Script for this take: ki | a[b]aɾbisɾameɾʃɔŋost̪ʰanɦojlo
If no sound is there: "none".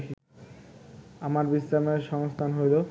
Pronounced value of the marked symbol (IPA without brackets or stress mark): m